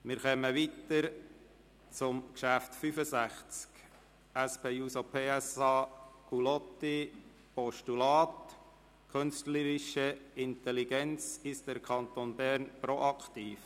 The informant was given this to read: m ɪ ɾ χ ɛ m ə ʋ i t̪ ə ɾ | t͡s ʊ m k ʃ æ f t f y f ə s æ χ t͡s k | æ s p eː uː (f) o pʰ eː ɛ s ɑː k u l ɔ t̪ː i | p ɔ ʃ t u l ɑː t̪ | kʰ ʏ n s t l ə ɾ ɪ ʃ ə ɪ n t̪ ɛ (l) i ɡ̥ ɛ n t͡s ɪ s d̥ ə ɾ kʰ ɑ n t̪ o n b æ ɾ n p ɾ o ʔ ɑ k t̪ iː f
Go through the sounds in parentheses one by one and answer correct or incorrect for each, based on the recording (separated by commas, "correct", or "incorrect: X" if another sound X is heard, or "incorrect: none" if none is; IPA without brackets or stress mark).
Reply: incorrect: s, correct